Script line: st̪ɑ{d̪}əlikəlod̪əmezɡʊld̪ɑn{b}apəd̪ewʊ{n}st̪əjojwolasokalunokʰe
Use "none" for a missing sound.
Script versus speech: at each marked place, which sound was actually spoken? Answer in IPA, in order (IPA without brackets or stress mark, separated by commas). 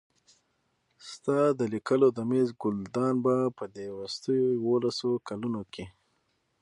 d̪, b, none